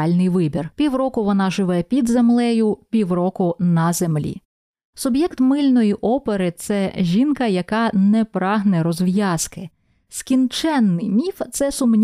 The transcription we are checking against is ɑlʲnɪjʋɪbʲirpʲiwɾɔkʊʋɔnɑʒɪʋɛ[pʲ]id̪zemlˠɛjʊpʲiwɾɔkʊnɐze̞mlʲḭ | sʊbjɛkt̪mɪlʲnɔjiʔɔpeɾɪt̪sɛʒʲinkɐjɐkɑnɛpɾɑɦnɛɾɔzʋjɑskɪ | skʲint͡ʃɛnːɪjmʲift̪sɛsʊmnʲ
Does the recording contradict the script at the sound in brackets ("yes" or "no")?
no